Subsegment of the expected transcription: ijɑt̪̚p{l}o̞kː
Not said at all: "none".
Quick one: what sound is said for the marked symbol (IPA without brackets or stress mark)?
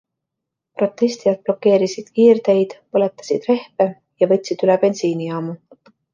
l